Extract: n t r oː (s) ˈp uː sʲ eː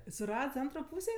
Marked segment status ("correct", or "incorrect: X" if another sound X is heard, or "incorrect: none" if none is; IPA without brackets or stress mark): incorrect: none